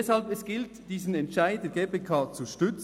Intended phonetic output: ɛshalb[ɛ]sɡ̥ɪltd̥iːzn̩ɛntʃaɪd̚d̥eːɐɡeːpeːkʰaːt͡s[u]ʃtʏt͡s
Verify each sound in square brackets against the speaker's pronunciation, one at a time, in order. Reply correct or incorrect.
correct, correct

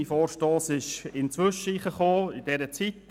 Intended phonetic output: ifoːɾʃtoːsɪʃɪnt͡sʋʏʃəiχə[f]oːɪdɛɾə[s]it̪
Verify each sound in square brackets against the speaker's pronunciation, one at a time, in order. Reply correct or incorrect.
incorrect, incorrect

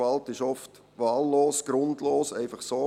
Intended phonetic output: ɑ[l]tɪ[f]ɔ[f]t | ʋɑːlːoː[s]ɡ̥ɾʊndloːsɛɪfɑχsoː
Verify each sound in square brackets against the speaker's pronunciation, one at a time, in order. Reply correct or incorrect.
correct, incorrect, correct, correct

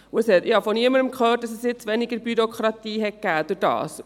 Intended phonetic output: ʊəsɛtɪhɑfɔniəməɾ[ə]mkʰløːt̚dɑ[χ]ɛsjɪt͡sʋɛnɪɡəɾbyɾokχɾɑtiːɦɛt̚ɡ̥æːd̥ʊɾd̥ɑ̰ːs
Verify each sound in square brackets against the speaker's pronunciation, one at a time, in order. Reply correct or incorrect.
correct, incorrect

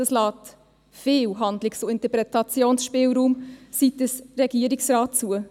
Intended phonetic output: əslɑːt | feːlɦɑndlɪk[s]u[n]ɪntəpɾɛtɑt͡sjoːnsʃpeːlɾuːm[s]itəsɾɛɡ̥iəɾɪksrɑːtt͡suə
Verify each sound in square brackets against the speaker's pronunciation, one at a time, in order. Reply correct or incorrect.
correct, incorrect, correct

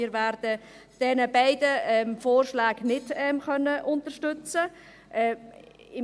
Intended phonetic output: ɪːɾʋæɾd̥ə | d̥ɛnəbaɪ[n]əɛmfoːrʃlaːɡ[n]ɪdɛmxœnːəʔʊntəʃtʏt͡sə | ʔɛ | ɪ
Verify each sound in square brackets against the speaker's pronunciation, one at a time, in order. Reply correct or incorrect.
incorrect, correct

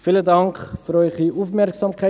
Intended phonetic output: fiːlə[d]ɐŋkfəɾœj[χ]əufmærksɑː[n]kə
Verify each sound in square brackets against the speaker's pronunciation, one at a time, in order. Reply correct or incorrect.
correct, correct, incorrect

